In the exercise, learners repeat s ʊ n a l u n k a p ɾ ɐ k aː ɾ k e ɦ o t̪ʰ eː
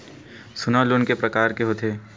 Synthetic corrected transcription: s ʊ n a l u n k e p ɾ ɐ k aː ɾ k e ɦ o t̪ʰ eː